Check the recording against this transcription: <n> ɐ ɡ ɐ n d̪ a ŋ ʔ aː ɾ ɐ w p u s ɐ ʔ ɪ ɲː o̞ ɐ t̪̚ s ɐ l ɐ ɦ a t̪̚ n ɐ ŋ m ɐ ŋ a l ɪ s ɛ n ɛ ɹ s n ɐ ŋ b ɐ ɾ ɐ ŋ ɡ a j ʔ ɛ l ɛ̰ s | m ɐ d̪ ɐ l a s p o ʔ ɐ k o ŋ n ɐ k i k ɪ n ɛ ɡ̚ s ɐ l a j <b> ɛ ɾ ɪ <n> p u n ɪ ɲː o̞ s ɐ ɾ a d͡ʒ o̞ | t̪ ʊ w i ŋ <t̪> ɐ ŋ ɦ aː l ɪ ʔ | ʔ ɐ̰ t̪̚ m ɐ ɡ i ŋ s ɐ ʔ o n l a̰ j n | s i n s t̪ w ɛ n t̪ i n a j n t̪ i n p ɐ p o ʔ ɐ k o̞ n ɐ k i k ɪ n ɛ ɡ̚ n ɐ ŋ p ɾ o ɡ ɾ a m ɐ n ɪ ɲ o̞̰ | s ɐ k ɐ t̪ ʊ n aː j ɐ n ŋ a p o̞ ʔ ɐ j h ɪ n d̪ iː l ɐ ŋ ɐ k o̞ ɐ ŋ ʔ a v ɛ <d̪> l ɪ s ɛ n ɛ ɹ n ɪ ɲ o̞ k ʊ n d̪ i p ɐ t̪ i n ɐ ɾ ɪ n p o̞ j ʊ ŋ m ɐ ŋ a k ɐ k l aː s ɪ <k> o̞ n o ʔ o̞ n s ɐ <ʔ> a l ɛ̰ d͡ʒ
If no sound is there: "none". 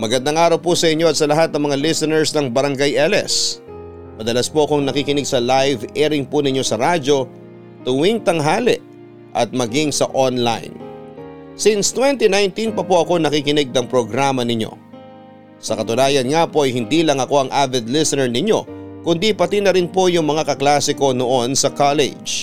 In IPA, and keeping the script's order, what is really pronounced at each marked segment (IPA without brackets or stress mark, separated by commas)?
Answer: m, v, ŋ, t̪, d̪, k, k